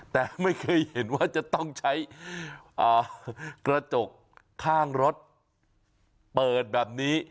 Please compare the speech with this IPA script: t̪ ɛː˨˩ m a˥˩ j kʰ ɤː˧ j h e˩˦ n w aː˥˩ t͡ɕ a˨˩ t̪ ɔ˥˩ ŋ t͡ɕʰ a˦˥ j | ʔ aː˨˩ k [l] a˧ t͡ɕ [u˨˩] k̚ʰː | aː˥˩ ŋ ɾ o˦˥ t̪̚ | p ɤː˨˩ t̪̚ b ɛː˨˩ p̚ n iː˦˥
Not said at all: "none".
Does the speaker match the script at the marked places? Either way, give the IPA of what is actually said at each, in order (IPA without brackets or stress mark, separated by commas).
ɾ, o˨˩